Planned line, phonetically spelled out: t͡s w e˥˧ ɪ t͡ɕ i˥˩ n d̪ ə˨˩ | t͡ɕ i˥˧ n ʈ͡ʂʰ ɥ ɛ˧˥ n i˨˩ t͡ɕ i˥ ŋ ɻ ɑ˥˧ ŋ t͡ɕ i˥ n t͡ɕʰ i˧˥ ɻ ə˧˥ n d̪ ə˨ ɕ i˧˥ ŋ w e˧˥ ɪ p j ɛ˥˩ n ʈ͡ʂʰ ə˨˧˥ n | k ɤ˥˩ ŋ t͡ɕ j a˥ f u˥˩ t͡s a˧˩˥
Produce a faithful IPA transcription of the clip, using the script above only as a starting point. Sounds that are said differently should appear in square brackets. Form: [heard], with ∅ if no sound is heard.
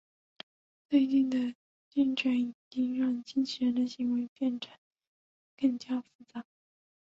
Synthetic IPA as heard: t͡s w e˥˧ ɪ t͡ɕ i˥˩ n d̪ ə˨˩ | t͡ɕ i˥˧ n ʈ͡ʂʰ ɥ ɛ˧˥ n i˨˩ t͡ɕ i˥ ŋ ɻ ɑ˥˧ ŋ t͡ɕ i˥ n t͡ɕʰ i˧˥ ɻ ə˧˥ n d̪ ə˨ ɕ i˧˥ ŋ w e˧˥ ɪ p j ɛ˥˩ n ʈ͡ʂʰ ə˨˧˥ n | k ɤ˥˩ ŋ t͡ɕ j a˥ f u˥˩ t͡s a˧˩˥